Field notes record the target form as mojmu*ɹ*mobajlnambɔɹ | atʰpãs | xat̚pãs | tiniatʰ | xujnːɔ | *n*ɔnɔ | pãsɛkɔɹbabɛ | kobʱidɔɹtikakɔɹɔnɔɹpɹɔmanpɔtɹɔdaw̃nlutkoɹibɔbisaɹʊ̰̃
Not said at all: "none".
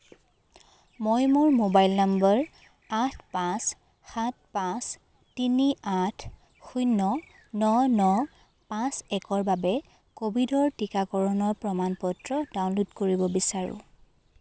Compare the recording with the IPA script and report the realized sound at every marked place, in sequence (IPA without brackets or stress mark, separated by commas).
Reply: ɹ, n